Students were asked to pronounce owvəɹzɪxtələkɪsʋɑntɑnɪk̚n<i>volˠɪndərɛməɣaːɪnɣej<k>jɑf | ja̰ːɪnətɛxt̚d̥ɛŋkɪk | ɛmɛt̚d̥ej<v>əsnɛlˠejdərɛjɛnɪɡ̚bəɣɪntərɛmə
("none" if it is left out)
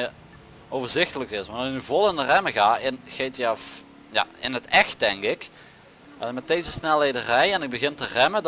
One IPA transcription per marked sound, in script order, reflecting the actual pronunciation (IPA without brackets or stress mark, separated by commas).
y, t, z